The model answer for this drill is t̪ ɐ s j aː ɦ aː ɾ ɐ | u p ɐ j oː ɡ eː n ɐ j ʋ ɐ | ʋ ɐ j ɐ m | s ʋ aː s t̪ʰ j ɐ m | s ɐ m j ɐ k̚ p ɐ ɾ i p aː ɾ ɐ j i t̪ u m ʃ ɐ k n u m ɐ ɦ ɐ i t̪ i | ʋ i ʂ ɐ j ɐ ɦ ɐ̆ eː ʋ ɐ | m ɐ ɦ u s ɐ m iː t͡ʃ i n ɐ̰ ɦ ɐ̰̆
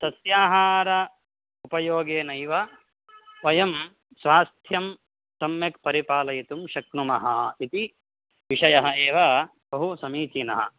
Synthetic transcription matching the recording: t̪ ɐ s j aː ɦ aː ɾ ɐ | u p ɐ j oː ɡ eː n ɐ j ʋ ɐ | ʋ ɐ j ɐ m | s ʋ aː s t̪ʰ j ɐ m | s ɐ m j ɐ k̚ p ɐ ɾ i p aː l ɐ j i t̪ u m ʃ ɐ k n u m ɐ ɦ ɐ i t̪ i | ʋ i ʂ ɐ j ɐ ɦ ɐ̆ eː ʋ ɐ | b ɐ ɦ u s ɐ m iː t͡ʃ i n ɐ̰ ɦ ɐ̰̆